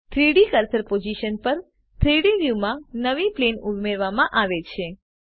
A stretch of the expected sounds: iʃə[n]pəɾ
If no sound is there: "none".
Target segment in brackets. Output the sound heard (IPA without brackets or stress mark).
n